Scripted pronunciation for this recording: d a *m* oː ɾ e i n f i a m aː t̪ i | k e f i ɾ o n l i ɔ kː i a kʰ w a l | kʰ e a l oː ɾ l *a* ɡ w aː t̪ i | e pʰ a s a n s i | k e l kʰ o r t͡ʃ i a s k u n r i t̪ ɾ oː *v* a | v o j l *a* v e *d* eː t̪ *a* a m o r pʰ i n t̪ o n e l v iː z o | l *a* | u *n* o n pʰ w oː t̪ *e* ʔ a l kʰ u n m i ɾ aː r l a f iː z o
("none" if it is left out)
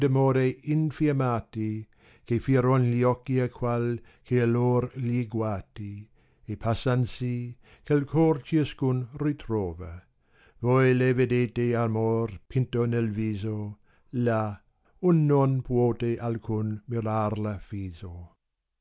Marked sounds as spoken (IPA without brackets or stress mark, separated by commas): m, i, v, e, d, e, a, nː, e